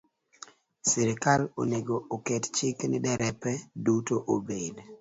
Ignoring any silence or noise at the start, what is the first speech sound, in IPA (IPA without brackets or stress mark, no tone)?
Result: s